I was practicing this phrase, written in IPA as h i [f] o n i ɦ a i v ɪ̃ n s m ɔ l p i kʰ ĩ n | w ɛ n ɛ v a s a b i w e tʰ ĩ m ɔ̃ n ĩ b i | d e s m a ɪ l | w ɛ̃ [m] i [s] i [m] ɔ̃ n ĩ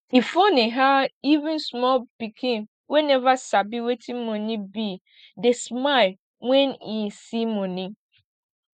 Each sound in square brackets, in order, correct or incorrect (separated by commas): correct, incorrect, correct, correct